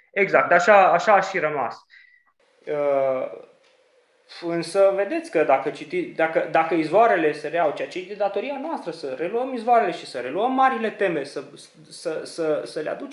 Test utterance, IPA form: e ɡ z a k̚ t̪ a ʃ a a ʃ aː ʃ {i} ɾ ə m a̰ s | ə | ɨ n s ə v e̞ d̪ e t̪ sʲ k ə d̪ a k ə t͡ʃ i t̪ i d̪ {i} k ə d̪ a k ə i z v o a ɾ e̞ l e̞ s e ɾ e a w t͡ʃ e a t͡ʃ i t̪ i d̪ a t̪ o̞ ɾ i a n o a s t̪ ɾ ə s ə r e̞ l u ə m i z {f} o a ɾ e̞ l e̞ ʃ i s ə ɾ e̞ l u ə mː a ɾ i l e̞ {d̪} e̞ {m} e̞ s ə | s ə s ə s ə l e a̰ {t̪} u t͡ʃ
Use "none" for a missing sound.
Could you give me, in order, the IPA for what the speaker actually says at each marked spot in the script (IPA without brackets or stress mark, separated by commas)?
i, a, v, t̪, m, d̪